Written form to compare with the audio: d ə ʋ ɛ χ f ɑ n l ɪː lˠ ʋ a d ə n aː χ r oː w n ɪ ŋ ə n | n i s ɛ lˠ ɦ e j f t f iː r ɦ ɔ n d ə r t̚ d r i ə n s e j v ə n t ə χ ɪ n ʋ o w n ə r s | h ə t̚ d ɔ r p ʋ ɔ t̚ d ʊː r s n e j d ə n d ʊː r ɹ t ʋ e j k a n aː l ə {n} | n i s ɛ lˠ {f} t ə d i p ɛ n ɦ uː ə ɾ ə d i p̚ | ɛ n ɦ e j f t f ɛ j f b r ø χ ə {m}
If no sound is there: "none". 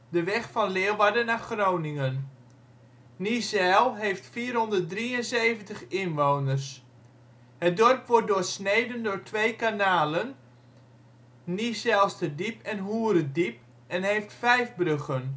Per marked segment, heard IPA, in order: n, s, n

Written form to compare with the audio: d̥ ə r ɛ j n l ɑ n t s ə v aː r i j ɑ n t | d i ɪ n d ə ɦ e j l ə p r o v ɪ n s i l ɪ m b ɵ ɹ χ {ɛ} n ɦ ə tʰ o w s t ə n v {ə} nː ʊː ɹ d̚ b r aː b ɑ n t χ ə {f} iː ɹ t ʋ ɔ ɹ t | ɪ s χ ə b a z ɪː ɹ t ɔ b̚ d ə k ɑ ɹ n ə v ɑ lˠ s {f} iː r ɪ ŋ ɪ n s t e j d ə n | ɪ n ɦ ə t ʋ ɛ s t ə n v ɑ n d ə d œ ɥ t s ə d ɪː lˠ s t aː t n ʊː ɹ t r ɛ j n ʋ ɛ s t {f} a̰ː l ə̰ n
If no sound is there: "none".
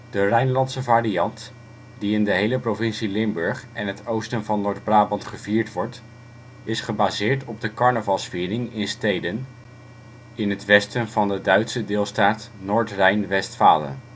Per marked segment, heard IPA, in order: ɛ, ɑ, v, f, f

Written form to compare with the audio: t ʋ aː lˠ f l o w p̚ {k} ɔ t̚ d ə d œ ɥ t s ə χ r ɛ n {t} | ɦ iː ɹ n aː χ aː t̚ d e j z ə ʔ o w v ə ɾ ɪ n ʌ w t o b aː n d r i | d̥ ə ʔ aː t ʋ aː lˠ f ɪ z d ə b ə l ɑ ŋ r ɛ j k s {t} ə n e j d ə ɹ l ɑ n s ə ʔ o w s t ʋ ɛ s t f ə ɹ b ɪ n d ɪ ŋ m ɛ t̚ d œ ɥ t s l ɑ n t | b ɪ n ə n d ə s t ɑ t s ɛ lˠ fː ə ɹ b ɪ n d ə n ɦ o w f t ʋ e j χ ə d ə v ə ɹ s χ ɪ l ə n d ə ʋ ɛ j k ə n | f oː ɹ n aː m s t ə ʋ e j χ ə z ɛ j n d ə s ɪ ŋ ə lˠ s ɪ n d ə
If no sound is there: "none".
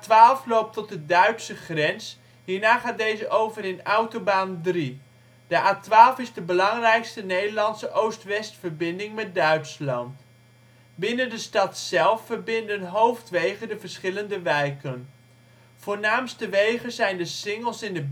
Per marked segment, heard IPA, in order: t, s, t

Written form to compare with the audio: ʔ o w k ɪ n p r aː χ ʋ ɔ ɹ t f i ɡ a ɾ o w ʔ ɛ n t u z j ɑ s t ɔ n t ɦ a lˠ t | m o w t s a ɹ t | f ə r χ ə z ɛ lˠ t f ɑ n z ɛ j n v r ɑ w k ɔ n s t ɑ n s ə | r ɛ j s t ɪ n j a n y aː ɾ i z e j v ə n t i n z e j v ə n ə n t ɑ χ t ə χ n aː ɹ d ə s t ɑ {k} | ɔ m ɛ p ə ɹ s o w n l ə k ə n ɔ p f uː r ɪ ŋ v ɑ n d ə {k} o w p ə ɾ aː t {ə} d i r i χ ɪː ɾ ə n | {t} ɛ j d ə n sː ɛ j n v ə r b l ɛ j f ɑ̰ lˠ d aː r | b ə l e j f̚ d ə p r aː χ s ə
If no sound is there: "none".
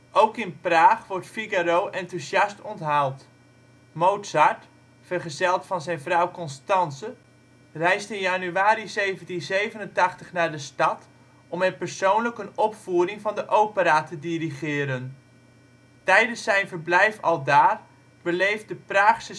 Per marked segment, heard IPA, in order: t, ʔ, ə, t

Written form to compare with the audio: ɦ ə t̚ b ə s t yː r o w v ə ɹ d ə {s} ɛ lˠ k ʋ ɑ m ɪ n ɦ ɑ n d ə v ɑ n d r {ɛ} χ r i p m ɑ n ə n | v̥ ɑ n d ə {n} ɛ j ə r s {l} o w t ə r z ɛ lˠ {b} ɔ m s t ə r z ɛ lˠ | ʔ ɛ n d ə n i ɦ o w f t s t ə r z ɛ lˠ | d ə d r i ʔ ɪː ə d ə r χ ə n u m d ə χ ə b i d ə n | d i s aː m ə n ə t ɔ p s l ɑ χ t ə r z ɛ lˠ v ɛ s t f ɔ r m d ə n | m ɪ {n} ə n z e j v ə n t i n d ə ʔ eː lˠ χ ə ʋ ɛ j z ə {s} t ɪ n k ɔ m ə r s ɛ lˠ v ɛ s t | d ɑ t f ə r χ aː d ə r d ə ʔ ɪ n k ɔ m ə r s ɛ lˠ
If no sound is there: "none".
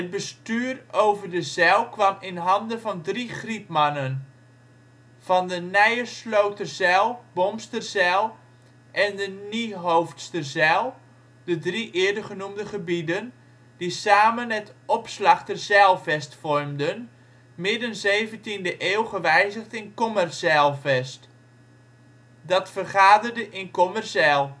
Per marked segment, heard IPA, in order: z, i, n, l, b, d, χ

